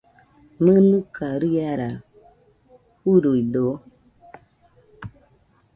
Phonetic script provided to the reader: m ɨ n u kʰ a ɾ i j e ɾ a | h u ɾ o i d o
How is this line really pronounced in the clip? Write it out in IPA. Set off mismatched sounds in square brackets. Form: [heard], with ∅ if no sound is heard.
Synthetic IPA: m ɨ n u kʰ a ɾ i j [a] ɾ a | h u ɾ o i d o